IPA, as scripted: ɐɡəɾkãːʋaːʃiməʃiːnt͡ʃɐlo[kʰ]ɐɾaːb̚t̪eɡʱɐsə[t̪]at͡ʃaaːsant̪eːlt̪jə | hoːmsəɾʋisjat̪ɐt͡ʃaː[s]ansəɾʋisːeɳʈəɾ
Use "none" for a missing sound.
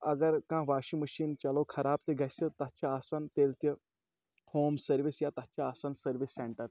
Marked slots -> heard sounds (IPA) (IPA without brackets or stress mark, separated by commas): kʰ, t̪, s